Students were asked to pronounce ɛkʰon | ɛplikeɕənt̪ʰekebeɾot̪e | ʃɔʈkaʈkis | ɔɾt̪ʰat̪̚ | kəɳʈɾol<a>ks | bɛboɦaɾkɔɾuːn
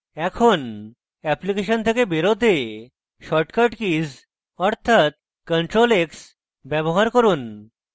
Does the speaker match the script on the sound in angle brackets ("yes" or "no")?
no